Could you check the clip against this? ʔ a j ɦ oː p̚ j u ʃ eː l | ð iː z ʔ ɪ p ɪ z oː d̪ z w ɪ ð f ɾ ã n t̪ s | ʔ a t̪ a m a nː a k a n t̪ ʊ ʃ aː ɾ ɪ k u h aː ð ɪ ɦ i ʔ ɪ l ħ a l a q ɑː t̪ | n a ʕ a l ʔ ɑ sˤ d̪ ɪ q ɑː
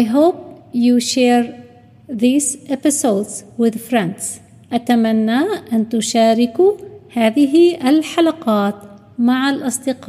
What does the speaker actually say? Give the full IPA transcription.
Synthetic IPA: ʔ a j ɦ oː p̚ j u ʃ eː ɾ | ð iː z ʔ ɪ p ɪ s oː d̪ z w ɪ ð f ɾ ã n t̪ s | ʔ a t̪ a m a nː a ʔ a n t̪ ʊ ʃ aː ɾ ɪ k u h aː ð ɪ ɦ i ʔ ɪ l ħ a l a q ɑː t̪ | m a ʕ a l ʔ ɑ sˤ d̪ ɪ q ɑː